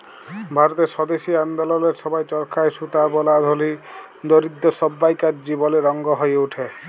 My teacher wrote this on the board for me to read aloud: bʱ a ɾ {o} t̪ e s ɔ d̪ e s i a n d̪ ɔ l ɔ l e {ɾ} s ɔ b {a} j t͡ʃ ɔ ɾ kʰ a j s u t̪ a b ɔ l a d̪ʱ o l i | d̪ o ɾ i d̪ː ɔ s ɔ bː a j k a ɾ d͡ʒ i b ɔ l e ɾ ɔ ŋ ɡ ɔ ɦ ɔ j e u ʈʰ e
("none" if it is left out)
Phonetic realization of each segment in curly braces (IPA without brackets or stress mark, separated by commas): ɔ, ɾ, a